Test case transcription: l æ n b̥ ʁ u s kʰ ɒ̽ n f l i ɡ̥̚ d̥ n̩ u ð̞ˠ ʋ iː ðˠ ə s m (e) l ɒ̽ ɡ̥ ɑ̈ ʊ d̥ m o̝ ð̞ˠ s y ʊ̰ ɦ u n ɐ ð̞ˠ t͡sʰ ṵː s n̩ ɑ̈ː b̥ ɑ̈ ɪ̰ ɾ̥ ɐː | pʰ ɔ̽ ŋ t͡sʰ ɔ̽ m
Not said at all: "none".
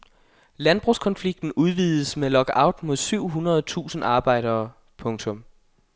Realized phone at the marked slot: e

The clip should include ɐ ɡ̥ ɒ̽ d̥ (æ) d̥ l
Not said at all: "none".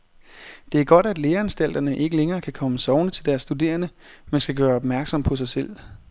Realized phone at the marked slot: æ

